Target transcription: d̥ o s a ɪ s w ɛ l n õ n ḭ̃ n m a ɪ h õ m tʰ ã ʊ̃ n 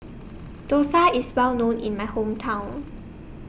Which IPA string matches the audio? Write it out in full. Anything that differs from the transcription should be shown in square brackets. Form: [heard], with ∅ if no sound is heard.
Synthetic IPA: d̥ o s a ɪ s w ɛ l n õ n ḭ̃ n m a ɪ h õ m tʰ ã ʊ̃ n